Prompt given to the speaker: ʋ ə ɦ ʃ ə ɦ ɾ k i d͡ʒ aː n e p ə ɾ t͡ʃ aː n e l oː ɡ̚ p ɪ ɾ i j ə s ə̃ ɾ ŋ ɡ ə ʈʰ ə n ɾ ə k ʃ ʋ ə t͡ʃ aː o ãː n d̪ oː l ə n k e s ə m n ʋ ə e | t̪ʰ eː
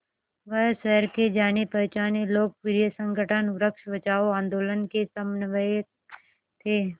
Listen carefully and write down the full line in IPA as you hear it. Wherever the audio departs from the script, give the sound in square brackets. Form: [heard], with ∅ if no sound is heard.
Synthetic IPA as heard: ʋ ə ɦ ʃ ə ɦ ɾ k [e] d͡ʒ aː n e p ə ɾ t͡ʃ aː n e l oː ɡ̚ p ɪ ɾ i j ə s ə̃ [∅] ŋ ɡ ə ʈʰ ə n ɾ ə k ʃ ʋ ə t͡ʃ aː o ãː n d̪ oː l ə n k e s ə m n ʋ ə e | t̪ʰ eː